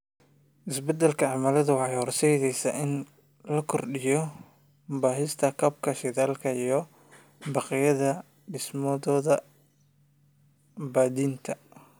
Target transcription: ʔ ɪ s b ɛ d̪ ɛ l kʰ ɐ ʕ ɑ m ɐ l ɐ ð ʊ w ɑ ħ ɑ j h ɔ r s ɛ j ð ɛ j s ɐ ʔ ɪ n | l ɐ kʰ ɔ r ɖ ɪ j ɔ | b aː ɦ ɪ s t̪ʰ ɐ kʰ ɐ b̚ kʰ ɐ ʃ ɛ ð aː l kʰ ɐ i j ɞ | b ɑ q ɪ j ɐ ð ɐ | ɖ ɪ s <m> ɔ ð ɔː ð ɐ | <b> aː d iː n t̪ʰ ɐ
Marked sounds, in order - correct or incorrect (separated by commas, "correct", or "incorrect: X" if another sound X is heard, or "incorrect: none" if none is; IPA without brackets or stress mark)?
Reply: correct, correct